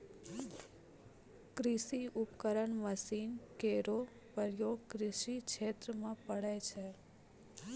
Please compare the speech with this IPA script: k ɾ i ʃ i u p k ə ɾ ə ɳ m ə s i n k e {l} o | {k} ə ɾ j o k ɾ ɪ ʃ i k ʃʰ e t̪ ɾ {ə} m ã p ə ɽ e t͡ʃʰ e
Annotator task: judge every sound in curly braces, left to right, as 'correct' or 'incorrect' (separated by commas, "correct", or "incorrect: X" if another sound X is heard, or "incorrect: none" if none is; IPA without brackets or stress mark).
incorrect: ɾ, incorrect: p, correct